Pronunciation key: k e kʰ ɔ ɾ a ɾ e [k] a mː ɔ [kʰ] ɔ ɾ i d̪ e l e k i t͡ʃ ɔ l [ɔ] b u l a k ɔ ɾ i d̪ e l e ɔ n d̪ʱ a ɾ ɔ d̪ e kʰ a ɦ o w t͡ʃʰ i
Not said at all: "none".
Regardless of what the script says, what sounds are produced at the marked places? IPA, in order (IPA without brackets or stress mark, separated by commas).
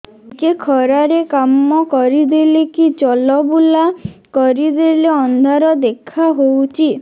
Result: k, k, ɔ